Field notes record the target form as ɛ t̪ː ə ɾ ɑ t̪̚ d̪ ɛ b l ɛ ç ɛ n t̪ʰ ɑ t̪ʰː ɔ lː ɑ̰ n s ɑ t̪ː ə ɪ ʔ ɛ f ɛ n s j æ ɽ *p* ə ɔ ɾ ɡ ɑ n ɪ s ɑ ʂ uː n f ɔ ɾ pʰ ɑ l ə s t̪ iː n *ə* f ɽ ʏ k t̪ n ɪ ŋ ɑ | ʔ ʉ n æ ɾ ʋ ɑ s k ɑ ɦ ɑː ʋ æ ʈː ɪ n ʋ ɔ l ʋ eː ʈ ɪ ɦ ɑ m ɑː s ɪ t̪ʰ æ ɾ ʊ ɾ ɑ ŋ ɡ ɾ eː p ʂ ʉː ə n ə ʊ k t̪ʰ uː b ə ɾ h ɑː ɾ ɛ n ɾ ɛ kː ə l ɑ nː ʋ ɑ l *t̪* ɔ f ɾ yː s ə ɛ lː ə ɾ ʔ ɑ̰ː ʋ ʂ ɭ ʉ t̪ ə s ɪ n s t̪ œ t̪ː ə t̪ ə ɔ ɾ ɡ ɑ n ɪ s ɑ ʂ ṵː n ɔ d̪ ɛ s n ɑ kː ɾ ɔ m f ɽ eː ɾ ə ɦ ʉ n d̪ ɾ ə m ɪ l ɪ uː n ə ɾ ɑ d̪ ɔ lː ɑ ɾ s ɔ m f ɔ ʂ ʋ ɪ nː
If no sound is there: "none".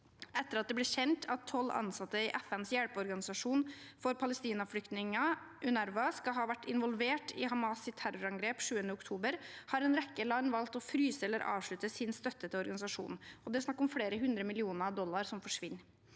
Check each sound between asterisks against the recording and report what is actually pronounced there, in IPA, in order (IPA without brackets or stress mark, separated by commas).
p, ɑ, t̪